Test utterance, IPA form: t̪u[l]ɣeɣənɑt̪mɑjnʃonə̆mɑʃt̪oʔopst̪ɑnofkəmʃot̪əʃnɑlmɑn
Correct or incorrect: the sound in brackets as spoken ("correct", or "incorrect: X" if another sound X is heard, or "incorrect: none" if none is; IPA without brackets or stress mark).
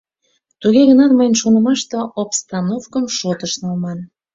incorrect: none